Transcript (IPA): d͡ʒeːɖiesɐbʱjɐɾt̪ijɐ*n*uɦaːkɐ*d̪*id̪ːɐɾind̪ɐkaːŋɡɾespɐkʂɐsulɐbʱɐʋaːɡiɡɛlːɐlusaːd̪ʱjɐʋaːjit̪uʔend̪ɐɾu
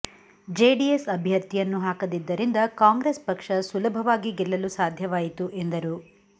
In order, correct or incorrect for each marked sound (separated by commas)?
incorrect, correct